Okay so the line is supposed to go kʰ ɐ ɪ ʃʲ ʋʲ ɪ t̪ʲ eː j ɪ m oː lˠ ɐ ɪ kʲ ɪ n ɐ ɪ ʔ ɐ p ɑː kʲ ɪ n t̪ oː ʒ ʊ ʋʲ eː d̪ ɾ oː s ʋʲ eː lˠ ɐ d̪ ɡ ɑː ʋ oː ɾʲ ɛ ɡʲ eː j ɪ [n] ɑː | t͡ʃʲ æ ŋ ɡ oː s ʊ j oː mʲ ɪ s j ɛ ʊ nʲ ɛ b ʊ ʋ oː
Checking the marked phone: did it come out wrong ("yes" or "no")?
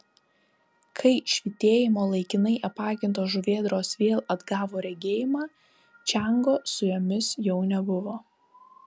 yes